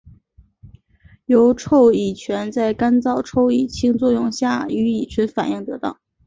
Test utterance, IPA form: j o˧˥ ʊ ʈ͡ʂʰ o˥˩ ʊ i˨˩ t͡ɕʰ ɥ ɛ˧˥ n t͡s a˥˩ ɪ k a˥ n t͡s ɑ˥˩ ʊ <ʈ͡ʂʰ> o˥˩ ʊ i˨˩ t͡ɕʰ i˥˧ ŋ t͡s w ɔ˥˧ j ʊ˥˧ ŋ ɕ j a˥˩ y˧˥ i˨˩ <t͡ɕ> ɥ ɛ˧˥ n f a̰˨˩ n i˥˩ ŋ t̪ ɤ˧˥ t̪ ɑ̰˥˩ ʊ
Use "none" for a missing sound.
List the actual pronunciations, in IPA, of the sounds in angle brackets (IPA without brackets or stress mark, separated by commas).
ʈ͡ʂʰ, t͡ɕʰ